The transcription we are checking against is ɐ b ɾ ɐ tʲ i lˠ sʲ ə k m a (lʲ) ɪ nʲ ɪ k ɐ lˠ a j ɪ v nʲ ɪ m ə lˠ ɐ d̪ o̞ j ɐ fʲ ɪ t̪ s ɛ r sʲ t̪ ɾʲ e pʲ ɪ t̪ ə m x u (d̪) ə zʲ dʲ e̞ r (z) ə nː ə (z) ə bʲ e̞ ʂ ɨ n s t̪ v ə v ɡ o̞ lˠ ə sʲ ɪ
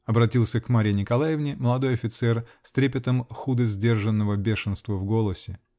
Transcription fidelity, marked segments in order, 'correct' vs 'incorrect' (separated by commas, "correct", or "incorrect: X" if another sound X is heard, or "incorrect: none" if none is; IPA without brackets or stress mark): incorrect: ɾʲ, correct, incorrect: ʐ, incorrect: v